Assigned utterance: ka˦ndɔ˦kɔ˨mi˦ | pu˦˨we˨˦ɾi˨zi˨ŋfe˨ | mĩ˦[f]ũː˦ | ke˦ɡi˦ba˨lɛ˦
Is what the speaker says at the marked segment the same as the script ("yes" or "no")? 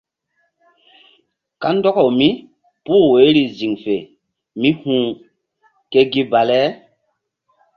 no